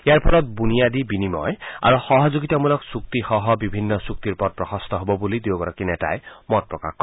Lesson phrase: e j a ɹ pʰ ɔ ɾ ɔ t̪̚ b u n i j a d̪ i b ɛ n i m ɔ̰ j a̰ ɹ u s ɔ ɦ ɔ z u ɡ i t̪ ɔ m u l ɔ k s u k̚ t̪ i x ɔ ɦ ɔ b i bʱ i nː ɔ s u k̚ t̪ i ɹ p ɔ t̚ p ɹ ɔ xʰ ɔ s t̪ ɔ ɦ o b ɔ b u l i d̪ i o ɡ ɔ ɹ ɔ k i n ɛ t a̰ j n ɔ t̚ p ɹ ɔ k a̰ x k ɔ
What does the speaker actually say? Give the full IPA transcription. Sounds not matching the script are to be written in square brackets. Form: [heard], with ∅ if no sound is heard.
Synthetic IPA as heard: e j a ɹ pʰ ɔ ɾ ɔ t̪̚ b u n i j a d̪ i b [i] n i m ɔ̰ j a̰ ɹ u [x] ɔ ɦ ɔ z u ɡ i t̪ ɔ m u l ɔ k s u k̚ t̪ i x ɔ ɦ ɔ b i bʱ i nː ɔ s u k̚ t̪ i ɹ p ɔ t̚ p ɹ ɔ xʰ ɔ s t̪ ɔ ɦ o b ɔ b u l i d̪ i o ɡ ɔ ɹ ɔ k i n ɛ t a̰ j [m] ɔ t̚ p ɹ ɔ k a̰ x k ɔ